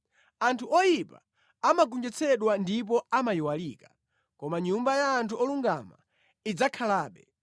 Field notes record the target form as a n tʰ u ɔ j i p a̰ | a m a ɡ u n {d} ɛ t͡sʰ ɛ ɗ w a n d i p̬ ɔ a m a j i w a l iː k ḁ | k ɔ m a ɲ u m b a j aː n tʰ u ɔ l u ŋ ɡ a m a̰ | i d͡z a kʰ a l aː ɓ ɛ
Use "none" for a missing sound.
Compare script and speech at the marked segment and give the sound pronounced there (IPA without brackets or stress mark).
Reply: d͡ʒ